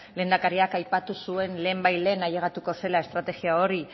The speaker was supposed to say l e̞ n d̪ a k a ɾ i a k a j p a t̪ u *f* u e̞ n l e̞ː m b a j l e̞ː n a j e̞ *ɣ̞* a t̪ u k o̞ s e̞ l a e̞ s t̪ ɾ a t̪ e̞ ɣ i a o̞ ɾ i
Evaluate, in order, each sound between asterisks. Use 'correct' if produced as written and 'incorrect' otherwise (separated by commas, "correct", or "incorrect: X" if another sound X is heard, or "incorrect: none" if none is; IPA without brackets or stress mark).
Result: incorrect: s, correct